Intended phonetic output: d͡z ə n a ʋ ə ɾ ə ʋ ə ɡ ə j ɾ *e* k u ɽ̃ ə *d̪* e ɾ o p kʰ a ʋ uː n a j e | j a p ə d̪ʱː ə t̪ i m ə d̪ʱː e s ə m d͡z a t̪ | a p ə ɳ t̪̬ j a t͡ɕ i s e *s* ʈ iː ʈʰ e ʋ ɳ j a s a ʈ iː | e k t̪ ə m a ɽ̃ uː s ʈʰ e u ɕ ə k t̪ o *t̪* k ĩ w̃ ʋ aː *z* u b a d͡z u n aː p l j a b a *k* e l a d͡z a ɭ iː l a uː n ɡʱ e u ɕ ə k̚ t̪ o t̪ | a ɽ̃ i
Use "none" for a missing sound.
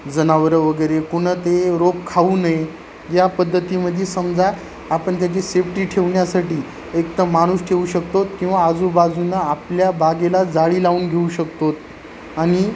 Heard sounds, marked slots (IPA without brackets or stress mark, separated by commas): e, t̪, f, t̪, d͡z, ɡ